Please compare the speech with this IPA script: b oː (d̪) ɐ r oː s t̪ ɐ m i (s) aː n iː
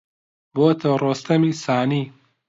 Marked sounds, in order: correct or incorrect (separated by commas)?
incorrect, correct